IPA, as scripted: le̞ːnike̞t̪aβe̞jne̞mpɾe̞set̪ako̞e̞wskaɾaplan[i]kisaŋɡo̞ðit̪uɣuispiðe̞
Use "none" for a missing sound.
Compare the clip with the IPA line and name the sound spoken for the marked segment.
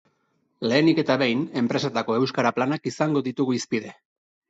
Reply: a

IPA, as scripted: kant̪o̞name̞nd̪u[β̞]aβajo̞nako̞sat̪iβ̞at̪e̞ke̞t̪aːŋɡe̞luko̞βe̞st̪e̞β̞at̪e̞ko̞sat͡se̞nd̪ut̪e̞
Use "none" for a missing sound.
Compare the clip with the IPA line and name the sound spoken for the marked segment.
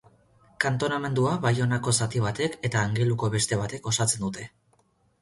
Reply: none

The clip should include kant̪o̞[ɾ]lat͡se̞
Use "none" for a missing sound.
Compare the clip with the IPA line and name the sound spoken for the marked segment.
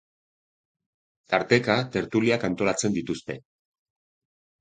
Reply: none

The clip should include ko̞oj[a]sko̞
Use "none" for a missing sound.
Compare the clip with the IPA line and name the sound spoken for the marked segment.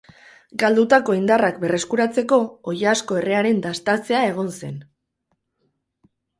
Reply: a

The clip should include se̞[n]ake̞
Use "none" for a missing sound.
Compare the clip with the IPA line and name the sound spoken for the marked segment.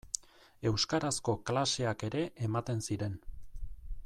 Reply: none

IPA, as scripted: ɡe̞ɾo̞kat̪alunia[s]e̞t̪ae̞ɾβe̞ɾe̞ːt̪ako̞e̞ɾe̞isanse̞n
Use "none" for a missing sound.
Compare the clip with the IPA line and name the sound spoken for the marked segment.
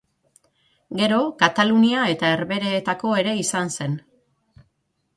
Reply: none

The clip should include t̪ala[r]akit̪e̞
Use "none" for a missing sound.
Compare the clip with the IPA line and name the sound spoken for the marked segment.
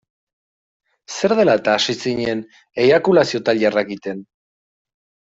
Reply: r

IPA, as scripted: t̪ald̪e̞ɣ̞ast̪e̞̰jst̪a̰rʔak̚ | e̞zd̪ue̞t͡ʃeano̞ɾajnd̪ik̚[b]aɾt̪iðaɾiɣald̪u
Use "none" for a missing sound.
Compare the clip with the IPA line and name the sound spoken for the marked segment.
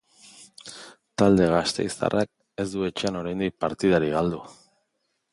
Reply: p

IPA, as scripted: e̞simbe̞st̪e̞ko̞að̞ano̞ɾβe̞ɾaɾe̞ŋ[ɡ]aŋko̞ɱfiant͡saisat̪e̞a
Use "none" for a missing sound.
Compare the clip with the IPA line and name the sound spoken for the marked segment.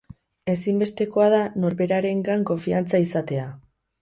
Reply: ɡ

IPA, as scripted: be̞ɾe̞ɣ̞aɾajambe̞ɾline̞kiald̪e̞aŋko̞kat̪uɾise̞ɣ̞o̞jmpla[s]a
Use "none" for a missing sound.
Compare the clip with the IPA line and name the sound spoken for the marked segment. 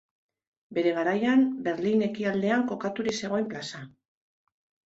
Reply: s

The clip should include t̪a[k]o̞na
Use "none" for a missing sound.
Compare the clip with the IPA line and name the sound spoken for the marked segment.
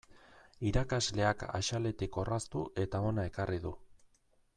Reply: none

